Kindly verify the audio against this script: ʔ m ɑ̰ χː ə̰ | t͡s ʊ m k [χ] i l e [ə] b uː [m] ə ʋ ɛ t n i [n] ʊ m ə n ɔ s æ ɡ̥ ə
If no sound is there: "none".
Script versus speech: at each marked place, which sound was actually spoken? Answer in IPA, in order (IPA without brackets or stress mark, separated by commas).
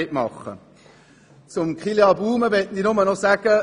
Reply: χ, ɑ, m, n